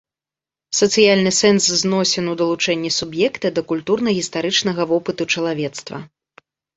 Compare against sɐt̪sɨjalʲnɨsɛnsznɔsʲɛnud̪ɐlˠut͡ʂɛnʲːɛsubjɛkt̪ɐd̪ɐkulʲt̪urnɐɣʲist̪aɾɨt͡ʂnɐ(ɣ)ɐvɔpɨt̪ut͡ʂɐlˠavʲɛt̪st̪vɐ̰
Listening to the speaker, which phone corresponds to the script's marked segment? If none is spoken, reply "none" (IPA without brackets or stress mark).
ɣ